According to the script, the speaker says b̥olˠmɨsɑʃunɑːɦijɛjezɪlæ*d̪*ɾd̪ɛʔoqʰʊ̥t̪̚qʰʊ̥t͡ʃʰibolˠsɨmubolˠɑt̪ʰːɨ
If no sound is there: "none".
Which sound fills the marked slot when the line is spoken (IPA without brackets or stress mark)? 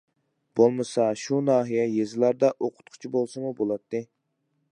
none